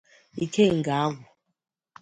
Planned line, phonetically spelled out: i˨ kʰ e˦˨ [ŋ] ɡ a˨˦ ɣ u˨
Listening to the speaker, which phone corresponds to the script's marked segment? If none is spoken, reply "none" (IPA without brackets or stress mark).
ŋ